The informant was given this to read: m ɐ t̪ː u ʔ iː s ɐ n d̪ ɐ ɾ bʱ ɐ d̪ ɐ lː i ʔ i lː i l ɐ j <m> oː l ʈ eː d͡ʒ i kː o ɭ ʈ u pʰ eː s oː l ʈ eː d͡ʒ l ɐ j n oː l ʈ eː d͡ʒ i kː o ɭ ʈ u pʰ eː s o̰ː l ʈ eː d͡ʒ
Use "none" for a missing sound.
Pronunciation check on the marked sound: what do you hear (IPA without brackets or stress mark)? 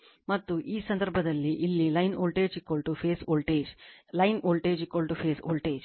n